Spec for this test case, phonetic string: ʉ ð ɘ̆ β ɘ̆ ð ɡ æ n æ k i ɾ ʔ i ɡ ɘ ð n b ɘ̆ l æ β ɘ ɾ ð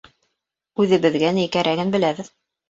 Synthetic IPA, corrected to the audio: ʉ ð ɘ̆ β ɘ̆ ð ɡ æ n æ k æ ɾ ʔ æ ɡ ɘ n b ɘ̆ l æ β ɘ ð